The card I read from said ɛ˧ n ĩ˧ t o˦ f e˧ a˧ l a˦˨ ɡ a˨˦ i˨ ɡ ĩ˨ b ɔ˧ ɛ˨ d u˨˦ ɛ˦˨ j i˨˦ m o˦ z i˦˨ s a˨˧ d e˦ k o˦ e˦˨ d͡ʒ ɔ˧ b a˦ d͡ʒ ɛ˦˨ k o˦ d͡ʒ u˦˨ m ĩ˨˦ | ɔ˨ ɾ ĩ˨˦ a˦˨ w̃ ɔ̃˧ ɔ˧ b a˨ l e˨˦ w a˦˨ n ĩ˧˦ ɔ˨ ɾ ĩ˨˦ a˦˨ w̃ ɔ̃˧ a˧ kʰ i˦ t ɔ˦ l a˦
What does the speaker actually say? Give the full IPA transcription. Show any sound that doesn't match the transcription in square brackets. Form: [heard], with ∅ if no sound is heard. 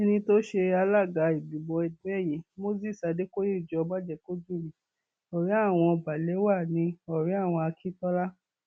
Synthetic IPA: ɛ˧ n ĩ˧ t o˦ [ʃ] e˧ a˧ l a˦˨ ɡ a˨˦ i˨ [b] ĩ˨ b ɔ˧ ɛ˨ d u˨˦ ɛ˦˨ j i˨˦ m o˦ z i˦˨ s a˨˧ d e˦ k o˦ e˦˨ d͡ʒ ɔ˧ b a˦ d͡ʒ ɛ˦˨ k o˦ d͡ʒ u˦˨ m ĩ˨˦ | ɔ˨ ɾ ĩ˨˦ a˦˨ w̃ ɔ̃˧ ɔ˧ b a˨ l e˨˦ w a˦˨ n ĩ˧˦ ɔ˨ ɾ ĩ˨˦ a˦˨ w̃ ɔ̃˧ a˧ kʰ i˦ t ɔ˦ l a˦